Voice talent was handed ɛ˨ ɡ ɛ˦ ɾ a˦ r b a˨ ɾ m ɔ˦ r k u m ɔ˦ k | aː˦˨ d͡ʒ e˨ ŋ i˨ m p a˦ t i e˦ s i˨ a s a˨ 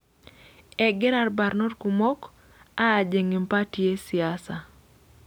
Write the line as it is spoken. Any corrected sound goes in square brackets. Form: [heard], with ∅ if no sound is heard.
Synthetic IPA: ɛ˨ ɡ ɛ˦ ɾ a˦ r b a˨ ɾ [n] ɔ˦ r k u m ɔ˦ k | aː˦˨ d͡ʒ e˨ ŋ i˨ m p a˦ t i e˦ s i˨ a s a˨